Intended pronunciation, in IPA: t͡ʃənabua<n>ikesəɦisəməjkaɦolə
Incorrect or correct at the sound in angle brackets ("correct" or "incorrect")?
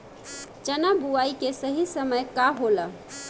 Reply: incorrect